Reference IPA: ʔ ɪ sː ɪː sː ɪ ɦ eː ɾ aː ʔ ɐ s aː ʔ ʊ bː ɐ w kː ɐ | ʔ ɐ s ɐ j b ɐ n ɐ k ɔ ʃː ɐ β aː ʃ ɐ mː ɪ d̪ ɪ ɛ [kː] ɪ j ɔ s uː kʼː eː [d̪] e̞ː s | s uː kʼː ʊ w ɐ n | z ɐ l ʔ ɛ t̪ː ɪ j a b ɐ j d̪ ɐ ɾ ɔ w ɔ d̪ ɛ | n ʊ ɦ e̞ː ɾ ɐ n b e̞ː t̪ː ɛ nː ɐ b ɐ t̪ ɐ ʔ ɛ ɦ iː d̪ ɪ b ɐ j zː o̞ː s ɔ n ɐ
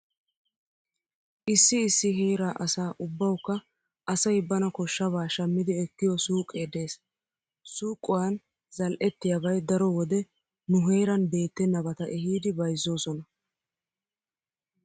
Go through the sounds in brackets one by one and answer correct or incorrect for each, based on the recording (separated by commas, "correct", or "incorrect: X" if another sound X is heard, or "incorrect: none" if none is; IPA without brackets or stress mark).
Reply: correct, correct